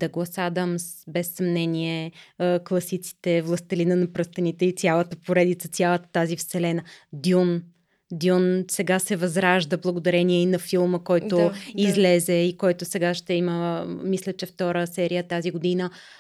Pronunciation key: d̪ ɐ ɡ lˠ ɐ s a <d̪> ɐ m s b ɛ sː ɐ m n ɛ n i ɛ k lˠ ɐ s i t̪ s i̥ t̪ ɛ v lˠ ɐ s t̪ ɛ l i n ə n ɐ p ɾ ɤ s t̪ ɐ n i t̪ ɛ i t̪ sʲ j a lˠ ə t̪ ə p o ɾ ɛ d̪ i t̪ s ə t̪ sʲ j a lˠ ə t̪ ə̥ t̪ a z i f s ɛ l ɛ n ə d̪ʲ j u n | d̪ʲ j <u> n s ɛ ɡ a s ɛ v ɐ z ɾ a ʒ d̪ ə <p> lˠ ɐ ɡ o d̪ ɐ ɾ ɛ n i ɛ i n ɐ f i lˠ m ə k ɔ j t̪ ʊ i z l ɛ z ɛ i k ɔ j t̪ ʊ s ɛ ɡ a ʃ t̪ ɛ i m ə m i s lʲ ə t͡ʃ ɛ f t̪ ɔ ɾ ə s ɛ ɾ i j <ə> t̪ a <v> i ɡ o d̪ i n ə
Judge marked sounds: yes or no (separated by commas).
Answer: yes, yes, no, yes, no